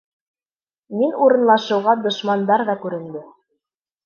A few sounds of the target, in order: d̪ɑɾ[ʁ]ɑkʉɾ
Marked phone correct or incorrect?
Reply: incorrect